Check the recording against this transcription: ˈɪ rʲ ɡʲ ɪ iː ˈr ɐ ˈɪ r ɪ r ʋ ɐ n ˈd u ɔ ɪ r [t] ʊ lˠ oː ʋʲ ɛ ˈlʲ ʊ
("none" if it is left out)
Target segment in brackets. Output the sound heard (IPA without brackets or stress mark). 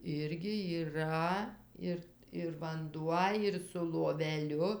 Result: s